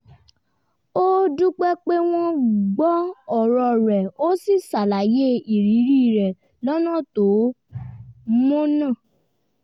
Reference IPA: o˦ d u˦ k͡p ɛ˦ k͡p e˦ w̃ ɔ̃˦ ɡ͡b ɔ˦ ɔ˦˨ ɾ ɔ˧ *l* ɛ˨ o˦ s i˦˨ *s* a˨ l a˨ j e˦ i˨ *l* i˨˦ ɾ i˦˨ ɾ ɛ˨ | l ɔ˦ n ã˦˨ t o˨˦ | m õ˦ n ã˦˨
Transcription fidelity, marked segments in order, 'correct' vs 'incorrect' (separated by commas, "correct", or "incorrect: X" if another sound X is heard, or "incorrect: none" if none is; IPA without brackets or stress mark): incorrect: ɾ, correct, incorrect: ɾ